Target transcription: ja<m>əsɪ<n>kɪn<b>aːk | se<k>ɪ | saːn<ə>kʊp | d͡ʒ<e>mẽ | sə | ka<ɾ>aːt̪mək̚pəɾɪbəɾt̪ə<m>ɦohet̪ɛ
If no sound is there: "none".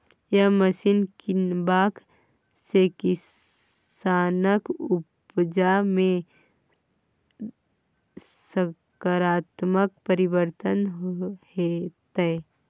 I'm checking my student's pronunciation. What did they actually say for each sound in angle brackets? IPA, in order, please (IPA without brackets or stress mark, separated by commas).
m, n, b, k, ə, a, ɾ, n